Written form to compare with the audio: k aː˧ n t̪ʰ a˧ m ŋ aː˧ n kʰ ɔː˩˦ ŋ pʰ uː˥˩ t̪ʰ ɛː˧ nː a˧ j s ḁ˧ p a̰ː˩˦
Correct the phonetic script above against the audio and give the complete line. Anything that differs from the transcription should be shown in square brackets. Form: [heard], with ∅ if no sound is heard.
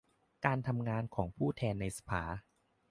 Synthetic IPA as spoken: k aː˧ n t̪ʰ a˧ m ŋ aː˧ n kʰ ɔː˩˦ ŋ pʰ uː˥˩ t̪ʰ ɛː˧ nː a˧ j s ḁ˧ [pʰ] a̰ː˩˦